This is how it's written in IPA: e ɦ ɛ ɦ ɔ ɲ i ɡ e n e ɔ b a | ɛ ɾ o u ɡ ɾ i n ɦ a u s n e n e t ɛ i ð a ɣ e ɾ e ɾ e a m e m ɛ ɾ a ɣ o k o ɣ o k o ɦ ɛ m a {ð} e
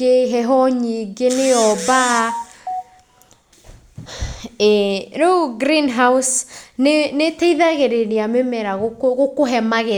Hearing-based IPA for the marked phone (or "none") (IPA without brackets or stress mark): ɣ